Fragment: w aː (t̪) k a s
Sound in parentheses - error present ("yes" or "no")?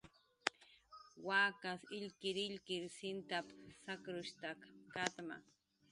yes